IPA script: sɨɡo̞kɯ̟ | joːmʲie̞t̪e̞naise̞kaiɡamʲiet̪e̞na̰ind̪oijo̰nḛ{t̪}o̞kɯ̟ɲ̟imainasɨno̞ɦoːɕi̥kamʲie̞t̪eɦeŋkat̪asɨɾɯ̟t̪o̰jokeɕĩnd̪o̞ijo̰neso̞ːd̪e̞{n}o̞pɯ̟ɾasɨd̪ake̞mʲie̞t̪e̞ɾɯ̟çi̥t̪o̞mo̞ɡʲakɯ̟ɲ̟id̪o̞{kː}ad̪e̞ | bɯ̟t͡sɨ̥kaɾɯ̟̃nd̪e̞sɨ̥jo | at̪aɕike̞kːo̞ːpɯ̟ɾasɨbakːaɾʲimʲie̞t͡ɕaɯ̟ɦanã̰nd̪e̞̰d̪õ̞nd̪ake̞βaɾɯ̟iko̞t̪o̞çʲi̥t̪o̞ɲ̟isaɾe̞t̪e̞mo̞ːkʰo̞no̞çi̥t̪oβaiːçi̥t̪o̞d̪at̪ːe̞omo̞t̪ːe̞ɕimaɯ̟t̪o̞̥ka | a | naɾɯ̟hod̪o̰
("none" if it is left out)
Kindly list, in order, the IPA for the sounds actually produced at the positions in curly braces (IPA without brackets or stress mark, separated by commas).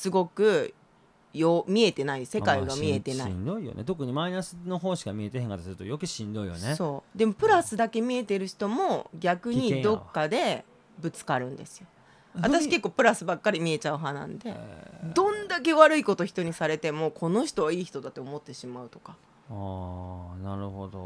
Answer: t̪, m, kː